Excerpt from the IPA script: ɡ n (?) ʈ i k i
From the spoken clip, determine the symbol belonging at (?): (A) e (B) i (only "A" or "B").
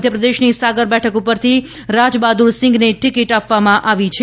A